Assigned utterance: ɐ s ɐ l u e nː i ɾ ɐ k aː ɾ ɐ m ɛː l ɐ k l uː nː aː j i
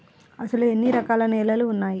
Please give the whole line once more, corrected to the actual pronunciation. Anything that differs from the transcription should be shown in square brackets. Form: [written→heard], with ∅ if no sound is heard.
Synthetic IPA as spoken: ɐ s ɐ l u e nː i ɾ ɐ k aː [ɾ→l] ɐ [m→n] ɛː l ɐ [k→∅] l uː nː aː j i